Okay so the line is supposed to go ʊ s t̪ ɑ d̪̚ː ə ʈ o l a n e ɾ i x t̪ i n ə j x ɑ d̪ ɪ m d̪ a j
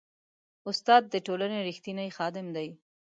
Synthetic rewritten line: ʊ s t̪ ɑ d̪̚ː ə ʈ o l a n e ɾ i x t̪ i n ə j x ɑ d̪ ɪ m d̪ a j